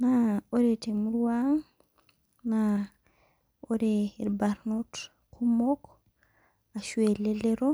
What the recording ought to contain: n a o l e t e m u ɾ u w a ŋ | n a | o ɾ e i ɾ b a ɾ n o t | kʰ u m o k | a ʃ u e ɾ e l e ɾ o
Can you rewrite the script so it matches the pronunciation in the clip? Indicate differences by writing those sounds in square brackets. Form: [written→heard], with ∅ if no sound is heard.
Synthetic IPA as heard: n a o [l→ɾ] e t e m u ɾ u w a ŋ | n a | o ɾ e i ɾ b a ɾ n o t | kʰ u m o k | a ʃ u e [ɾ→l] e l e ɾ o